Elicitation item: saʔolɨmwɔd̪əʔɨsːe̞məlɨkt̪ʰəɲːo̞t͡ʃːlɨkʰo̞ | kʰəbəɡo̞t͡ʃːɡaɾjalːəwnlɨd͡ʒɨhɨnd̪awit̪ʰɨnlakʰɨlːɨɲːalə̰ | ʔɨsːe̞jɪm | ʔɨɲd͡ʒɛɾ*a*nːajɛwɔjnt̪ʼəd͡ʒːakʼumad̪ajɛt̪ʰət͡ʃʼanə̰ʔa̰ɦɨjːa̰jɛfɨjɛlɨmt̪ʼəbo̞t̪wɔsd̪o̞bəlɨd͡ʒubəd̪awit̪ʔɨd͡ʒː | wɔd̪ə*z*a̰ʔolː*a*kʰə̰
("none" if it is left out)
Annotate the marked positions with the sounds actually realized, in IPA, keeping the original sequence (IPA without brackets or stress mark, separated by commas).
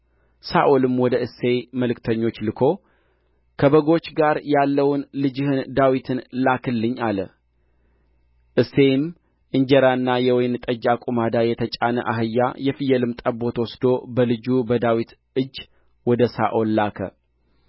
a, s, a